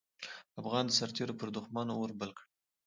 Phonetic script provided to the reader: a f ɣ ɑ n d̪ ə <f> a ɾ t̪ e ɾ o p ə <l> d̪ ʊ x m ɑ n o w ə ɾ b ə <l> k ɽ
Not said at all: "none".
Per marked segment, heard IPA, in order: s, ɾ, l

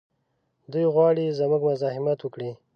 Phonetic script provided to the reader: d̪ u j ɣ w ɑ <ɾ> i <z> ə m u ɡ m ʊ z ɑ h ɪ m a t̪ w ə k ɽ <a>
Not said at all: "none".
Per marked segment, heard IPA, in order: ɽ, z, i

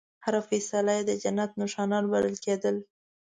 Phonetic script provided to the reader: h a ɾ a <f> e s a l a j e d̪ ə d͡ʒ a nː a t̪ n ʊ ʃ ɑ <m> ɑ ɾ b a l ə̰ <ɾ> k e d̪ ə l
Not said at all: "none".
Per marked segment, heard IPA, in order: f, n, l

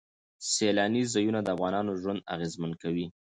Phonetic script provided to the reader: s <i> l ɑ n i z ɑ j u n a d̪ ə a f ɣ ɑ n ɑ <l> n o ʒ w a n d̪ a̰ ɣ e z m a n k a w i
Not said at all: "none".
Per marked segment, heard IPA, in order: e, none

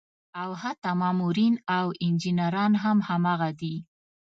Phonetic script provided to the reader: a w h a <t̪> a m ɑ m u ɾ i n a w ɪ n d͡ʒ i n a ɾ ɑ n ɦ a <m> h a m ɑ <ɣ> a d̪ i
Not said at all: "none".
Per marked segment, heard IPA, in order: t̪, m, ɣ

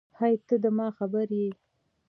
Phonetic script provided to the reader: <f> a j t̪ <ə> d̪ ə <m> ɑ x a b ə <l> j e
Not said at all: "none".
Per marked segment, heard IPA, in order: h, ə, m, ɾ

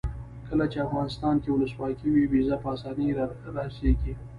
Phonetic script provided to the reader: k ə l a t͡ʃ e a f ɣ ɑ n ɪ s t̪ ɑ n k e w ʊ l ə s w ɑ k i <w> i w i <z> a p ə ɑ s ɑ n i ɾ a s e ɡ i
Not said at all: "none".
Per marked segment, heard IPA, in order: w, z

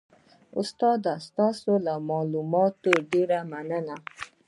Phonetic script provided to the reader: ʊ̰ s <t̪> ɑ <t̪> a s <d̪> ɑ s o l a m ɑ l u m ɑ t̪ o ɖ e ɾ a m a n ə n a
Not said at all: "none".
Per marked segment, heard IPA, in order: t̪, d̪, t̪

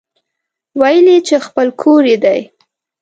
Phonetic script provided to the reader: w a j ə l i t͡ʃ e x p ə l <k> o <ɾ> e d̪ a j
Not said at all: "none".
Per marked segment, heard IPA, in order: kʰ, ɾ

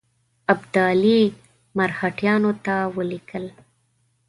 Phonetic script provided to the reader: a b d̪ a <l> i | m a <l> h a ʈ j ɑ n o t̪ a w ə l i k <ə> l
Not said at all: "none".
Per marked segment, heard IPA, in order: l, ɾ, ə

